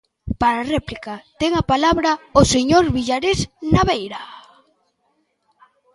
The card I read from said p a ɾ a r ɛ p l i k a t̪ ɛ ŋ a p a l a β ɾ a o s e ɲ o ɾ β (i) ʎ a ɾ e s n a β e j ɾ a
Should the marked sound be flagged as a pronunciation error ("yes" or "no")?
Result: no